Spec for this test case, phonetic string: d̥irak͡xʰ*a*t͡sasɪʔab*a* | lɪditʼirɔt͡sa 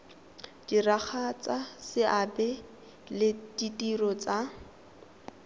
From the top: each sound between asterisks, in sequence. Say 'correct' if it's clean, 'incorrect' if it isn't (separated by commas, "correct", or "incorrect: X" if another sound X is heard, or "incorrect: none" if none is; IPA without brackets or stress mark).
correct, incorrect: ɛ